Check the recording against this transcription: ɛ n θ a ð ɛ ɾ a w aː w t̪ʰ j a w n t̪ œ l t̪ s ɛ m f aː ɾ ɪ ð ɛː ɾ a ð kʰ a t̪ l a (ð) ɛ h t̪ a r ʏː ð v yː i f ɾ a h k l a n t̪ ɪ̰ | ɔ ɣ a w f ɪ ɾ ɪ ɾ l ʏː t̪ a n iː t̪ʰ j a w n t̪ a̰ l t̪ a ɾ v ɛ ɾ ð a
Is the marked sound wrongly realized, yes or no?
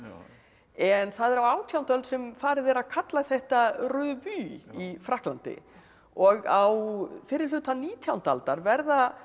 yes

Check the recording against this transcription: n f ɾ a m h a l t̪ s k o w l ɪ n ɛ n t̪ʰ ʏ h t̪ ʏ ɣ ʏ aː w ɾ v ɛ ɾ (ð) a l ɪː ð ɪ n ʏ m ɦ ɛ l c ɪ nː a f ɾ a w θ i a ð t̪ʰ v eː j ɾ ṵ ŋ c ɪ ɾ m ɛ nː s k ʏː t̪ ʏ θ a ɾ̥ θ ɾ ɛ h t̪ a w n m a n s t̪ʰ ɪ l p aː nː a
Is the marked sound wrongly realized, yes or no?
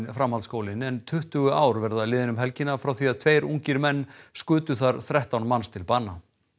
no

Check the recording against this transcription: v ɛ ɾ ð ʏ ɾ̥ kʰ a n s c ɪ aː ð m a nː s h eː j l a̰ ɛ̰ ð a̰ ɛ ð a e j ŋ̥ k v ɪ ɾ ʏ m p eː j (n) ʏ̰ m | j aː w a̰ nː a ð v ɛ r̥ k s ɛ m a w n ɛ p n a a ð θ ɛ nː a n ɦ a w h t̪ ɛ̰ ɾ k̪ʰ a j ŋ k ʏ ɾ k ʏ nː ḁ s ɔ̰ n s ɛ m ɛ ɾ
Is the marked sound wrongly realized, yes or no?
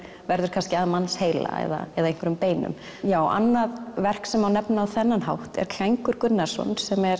no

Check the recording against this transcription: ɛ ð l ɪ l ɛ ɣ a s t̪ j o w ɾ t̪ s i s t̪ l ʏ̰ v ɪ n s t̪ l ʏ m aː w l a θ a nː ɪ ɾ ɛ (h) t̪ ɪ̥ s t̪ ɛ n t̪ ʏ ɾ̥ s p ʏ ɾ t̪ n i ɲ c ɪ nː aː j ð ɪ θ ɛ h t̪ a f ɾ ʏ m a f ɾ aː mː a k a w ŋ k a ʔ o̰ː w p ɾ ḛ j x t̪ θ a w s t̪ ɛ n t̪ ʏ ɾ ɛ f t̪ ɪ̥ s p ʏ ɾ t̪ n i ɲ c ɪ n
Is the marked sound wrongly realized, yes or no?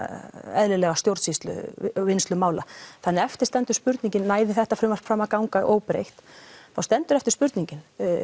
yes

